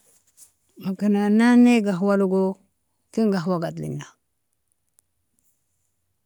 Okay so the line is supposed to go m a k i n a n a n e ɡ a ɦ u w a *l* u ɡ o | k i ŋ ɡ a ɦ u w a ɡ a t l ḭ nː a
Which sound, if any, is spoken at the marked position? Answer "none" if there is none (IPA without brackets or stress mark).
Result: l